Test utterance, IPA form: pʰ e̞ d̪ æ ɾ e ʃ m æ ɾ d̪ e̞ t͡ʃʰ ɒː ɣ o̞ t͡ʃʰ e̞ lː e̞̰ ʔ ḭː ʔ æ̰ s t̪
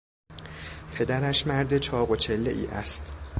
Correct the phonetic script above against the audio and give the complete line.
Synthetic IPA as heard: pʰ e̞ d̪ æ ɾ æ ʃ m æ ɾ d̪ e̞ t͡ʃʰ ɒː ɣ o̞ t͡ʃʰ e̞ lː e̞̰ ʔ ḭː ʔ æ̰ s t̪